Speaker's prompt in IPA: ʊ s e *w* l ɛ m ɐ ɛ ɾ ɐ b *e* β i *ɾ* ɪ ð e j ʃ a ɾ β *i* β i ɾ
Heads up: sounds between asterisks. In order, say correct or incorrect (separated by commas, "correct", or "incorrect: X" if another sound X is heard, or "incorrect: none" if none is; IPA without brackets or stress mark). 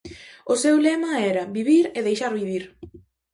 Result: correct, incorrect: i, correct, correct